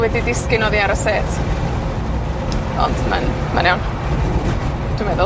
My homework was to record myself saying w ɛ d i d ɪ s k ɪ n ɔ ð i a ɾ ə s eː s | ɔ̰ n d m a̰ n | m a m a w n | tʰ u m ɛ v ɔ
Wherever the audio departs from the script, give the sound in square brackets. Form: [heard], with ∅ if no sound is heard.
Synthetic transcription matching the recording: w ɛ d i d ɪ s k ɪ n ɔ ð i a ɾ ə s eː [t] | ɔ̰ n d m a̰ n | m a [n] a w n | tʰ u m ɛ [ð] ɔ